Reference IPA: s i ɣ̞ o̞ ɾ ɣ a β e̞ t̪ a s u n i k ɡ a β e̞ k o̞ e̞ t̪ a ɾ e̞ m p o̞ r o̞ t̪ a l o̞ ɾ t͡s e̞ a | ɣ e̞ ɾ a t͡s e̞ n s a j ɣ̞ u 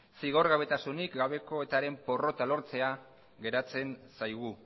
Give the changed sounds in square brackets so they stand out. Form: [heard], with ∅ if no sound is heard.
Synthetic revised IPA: s i ɣ̞ o̞ ɾ ɣ a β e̞ t̪ a s u n i k ɡ a β e̞ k o̞ e̞ t̪ a ɾ e̞ m p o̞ r o̞ t̪ a l o̞ ɾ t͡s e̞ a | ɣ e̞ ɾ a t͡s e̞ n s a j ɣ̞ u